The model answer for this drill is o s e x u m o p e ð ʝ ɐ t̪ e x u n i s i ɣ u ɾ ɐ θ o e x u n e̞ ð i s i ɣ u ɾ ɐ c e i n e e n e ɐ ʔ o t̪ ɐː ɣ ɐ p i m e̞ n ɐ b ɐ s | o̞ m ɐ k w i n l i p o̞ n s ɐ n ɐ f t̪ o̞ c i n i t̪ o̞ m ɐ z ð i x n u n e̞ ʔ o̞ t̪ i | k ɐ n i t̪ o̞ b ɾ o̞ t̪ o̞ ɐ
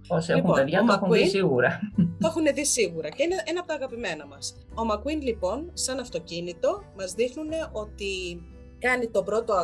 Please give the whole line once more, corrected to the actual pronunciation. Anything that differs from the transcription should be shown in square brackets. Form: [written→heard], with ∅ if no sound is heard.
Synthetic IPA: o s e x u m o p e ð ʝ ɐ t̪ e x u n i s i ɣ u ɾ ɐ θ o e x u n e̞ ð i s i ɣ u ɾ ɐ c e i n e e n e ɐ [ʔ→p] o t̪ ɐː ɣ ɐ p i m e̞ n ɐ [b→m] ɐ s | o̞ m ɐ k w i n l i p o̞ n s ɐ n ɐ f t̪ o̞ c i n i t̪ o̞ m ɐ z ð i x n u n e̞ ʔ o̞ t̪ i | k ɐ n i t̪ o̞ b ɾ o̞ t̪ o̞ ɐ